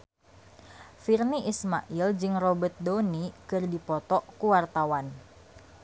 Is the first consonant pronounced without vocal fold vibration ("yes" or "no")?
yes